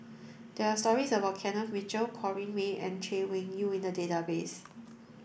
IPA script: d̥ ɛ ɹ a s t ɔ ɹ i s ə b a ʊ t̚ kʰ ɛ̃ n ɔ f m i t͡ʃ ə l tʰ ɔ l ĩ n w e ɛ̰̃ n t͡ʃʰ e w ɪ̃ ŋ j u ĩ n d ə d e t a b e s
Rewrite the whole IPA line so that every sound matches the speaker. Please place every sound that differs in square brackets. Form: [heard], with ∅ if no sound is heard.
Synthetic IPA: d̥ ɛ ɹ a s t ɔ ɹ i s ə b a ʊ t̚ kʰ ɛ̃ n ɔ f m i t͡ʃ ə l [kʰ] ɔ [ɹ] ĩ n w e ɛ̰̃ n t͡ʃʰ e w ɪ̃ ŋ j u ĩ n d ə d e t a b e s